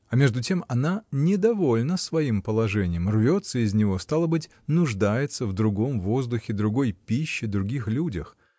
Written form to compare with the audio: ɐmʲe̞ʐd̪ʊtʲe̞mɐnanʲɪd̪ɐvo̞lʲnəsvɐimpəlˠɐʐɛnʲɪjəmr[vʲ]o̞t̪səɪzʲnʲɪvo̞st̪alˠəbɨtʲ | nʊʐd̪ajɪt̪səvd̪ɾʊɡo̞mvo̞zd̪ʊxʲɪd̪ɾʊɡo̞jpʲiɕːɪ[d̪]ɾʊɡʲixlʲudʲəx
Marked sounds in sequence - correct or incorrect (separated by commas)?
correct, correct